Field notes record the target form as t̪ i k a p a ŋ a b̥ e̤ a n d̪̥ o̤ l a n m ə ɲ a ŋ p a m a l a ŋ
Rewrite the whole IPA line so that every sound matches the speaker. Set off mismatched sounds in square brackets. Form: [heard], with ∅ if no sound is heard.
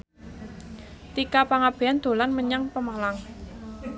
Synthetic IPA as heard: t̪ i k a p a ŋ a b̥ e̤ a n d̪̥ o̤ l a n m ə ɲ a ŋ p [ə] m a l a ŋ